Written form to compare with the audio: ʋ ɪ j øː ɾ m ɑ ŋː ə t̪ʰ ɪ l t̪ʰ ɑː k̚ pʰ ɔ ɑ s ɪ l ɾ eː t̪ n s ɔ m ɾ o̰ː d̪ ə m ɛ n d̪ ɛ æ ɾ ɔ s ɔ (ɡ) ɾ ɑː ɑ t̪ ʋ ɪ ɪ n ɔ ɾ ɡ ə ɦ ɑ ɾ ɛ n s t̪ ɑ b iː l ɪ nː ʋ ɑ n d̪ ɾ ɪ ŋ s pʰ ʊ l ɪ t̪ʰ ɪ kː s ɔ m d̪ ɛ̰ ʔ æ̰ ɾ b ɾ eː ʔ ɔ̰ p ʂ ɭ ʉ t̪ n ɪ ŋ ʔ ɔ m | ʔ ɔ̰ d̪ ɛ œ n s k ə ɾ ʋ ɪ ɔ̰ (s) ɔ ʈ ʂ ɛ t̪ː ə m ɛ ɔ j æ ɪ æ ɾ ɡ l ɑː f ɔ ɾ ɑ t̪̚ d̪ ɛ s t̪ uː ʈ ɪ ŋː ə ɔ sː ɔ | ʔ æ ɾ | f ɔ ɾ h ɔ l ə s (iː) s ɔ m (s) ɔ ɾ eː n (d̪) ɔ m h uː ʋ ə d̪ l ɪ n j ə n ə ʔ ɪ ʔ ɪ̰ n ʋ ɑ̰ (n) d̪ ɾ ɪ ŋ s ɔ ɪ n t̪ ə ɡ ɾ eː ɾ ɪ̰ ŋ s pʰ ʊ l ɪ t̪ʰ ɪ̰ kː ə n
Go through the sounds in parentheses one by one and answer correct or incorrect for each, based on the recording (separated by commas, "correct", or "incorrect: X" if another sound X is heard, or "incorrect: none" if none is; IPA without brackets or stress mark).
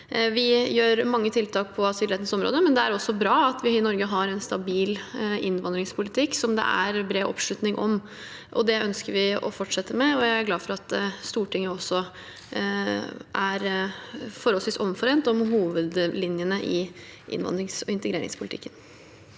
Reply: incorrect: b, incorrect: f, correct, incorrect: f, incorrect: t̪, correct